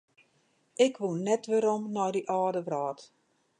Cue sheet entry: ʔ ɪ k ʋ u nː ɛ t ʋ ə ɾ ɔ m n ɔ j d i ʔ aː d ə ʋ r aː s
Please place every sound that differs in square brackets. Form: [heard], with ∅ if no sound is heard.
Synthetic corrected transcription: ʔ ɪ k ʋ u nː ɛ t ʋ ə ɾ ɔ m n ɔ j d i ʔ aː d ə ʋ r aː [t]